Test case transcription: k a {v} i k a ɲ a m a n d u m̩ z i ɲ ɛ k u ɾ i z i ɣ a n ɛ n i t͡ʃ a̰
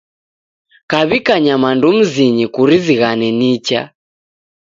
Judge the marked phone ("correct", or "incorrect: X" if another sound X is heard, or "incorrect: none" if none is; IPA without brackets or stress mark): incorrect: β